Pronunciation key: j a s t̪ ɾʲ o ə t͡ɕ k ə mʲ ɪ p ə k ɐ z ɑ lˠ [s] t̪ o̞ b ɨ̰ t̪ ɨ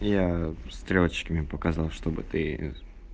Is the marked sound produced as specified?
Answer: no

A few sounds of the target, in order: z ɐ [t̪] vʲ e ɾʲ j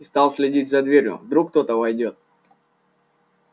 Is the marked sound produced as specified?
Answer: no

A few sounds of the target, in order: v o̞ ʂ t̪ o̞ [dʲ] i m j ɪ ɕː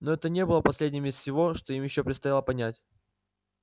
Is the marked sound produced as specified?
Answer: no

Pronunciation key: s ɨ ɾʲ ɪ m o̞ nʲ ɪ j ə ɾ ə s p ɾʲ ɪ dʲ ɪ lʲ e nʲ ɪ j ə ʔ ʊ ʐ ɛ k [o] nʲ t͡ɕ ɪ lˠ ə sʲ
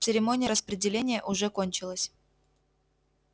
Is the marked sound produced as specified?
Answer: yes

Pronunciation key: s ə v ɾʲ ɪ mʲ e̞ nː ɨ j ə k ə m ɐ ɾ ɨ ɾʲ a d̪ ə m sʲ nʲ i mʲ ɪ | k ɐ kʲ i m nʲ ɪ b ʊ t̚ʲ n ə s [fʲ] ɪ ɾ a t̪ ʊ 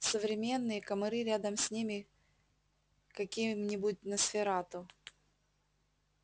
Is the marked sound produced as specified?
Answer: yes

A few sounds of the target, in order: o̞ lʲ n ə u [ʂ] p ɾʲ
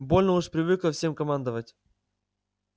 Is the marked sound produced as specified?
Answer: yes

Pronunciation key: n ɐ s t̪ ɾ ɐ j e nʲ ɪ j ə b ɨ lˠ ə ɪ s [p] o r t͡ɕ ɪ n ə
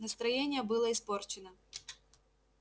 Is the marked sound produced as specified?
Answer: yes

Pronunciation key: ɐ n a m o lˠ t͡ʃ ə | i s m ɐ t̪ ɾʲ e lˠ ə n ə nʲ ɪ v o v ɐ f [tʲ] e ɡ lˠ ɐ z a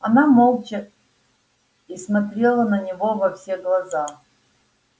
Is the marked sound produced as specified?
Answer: no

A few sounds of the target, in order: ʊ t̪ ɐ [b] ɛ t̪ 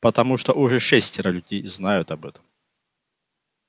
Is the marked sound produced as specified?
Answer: yes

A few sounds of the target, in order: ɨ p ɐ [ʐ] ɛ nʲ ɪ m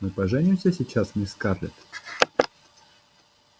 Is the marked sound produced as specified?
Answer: yes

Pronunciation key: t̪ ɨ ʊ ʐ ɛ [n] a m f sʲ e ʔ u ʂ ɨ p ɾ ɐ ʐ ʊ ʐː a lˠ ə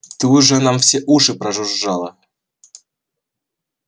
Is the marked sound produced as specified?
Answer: yes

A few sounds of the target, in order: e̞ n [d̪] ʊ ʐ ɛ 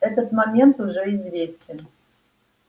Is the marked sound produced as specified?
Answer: no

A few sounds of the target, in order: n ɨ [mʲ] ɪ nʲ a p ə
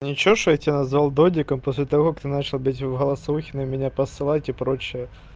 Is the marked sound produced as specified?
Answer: yes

